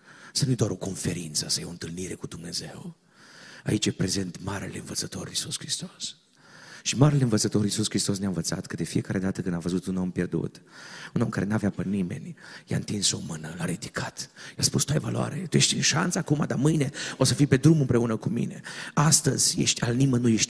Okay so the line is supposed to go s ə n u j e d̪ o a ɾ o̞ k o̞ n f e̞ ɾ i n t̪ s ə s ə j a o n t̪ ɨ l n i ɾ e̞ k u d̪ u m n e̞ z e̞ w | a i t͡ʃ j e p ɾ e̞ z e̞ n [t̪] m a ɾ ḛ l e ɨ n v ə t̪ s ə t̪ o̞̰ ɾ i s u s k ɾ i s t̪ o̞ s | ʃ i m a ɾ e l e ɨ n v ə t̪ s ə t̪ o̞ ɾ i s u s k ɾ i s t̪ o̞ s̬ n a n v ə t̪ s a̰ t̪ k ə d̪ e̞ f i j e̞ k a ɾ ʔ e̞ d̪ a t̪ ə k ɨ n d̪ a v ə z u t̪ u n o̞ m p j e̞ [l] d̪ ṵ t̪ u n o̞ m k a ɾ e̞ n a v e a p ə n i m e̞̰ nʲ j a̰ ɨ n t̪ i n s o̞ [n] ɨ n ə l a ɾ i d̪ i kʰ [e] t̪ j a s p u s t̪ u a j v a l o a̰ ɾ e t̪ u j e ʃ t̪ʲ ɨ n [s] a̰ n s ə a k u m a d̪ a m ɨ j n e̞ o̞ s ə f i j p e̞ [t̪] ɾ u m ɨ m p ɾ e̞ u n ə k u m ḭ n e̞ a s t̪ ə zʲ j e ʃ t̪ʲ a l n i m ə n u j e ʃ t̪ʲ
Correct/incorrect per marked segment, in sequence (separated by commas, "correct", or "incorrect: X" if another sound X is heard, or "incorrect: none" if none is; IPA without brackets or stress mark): correct, incorrect: r, incorrect: m, incorrect: a, incorrect: ʃ, incorrect: d̪